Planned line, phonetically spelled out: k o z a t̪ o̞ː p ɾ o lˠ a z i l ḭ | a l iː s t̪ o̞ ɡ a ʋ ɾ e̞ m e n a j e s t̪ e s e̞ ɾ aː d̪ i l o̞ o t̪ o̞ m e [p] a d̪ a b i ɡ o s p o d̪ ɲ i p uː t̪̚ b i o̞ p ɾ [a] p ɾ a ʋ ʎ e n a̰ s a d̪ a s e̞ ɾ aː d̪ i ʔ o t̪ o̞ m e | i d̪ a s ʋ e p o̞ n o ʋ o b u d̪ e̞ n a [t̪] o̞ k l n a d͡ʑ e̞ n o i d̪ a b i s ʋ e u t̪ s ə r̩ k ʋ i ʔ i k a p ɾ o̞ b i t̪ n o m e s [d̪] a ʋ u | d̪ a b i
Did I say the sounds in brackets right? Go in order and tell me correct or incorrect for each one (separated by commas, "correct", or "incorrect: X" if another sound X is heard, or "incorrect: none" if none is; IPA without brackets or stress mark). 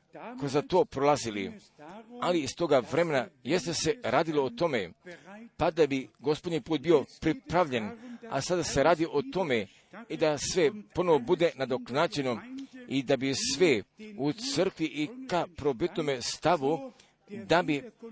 correct, incorrect: i, incorrect: d̪, incorrect: t̪